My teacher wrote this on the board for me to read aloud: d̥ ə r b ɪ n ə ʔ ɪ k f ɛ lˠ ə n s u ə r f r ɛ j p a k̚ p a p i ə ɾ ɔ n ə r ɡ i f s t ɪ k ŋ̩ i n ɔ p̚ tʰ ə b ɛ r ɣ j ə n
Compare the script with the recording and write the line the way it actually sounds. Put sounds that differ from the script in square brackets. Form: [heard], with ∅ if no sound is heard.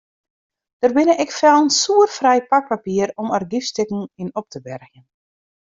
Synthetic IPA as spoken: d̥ ə r b ɪ n ə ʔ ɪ k f ɛ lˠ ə n s u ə r f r ɛ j p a k̚ p a p i ə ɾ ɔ [m] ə r ɡ i f s t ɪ k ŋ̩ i n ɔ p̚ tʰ ə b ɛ r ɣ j ə n